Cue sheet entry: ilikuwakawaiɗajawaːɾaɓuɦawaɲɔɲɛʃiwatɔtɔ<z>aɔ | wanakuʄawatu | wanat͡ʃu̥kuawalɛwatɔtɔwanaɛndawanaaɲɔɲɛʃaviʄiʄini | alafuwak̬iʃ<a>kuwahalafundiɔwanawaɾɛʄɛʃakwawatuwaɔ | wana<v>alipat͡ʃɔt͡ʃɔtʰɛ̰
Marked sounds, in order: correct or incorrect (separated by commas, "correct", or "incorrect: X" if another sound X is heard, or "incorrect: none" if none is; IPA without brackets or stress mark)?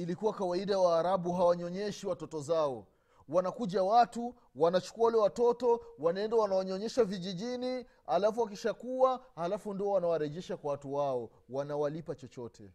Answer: correct, correct, incorrect: w